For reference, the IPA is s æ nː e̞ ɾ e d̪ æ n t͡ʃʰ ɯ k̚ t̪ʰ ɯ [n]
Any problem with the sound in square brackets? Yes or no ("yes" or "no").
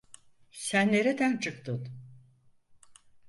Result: no